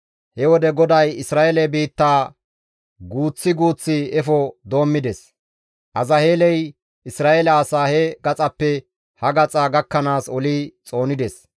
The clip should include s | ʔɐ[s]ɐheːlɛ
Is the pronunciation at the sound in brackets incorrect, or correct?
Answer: incorrect